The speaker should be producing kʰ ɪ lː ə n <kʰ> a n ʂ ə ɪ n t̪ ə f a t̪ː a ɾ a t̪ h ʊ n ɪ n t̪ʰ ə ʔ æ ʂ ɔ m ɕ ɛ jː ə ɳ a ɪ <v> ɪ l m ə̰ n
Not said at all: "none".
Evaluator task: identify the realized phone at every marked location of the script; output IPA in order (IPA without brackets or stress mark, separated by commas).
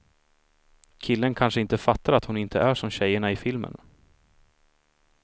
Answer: kʰ, f